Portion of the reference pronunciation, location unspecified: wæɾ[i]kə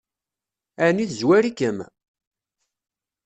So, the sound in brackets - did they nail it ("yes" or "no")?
yes